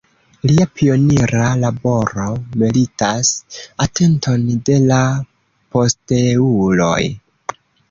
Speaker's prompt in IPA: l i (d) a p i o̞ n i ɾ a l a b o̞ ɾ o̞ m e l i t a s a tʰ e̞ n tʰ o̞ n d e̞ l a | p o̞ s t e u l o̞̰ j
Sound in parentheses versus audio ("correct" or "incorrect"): incorrect